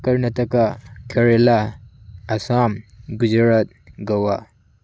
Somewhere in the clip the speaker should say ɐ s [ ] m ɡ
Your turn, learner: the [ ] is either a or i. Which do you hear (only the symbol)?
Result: a